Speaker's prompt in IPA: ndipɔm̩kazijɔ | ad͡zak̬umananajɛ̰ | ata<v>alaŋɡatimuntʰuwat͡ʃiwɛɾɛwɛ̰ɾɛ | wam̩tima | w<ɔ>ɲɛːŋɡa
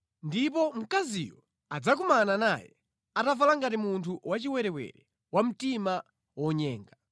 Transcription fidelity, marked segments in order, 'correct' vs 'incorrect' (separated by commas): correct, correct